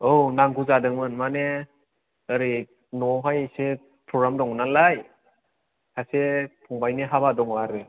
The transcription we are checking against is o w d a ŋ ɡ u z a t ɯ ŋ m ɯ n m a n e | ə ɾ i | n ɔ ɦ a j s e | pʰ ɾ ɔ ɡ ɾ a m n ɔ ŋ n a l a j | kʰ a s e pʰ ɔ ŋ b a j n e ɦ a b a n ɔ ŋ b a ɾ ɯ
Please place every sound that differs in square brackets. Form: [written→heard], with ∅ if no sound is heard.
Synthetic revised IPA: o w [d→n] a ŋ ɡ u z a [t→d] ɯ ŋ m ɯ n m a n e | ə ɾ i | n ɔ ɦ a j s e | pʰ ɾ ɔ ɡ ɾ a m [n→d] ɔ ŋ n a l a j | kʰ a s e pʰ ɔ ŋ b a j n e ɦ a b a [n→d] ɔ ŋ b a ɾ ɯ